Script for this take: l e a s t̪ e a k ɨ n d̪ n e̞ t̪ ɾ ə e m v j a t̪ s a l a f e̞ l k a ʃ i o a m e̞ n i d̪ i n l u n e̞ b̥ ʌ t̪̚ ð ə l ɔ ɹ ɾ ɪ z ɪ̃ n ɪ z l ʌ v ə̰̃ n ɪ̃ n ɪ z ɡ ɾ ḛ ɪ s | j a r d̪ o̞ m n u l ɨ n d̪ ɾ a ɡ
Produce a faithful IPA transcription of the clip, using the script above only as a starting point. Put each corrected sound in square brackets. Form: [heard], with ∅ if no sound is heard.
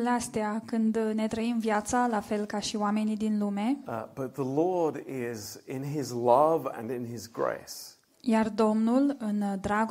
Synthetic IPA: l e a s t̪ e a k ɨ n d̪ n e̞ t̪ ɾ ə [i] m v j a t̪ s a l a f e̞ l k a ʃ i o a m e̞ n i d̪ i n l u [m] e̞ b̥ ʌ t̪̚ ð ə l ɔ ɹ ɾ ɪ z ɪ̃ n ɪ z l ʌ v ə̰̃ n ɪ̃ n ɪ z ɡ [ɹ] ḛ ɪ s | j a r d̪ o̞ m n u l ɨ n d̪ ɾ a ɡ